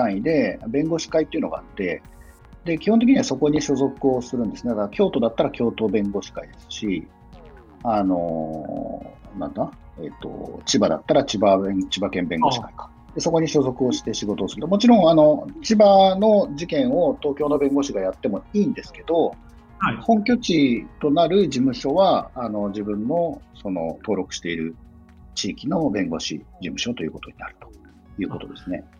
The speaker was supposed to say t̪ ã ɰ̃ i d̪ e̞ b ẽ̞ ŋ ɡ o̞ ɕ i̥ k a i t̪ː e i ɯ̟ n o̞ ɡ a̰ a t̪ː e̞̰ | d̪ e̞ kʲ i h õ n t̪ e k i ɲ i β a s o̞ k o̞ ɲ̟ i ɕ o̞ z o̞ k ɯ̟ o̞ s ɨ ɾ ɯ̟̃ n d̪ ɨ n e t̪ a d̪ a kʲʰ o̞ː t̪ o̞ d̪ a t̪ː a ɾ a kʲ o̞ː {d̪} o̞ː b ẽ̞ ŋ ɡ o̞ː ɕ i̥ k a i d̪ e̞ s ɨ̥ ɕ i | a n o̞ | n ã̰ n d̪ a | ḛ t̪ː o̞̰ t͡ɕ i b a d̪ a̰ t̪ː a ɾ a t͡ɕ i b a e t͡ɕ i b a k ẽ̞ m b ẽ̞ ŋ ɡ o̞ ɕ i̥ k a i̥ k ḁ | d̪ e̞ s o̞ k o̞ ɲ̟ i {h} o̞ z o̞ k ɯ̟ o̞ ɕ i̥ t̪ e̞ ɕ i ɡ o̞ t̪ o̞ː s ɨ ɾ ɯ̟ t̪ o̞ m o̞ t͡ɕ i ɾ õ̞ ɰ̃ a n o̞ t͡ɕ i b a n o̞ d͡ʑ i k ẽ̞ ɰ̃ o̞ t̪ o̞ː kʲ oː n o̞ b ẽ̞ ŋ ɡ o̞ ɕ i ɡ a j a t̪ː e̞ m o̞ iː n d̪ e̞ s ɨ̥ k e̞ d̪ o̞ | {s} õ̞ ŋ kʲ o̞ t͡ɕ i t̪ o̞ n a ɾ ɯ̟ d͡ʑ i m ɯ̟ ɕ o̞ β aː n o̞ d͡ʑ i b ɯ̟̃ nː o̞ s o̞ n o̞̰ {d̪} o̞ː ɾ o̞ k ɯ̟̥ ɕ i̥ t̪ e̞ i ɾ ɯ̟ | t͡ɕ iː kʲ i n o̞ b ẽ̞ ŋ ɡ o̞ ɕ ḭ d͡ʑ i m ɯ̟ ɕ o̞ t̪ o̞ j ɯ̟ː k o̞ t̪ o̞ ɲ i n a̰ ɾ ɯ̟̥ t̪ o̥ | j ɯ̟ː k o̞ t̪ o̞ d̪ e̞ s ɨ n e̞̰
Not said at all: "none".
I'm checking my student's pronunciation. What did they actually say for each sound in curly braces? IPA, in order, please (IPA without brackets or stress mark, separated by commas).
t̪, ɕ, h, t̪